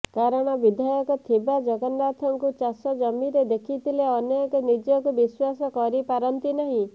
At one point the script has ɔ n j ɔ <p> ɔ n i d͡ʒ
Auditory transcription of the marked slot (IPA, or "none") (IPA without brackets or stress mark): k